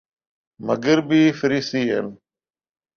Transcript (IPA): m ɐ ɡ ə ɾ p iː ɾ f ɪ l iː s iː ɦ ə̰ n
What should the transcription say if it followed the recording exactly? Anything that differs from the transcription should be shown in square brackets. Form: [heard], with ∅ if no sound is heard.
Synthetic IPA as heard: m [ə] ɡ ə ɾ [b] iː [∅] f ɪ [ɾ] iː s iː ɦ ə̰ n